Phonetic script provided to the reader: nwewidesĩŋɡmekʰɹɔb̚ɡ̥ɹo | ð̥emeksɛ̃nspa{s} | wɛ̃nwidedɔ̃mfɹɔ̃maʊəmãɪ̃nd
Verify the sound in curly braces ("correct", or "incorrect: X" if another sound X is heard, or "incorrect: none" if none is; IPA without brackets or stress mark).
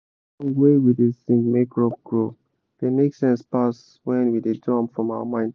correct